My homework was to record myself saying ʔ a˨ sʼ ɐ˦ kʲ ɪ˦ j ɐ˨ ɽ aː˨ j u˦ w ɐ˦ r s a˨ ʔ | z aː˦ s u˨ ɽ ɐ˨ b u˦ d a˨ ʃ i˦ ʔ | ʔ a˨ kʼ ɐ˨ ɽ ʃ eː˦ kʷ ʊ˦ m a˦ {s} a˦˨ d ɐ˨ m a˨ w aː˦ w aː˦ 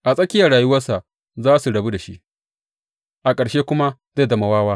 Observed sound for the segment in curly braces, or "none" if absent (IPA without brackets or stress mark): z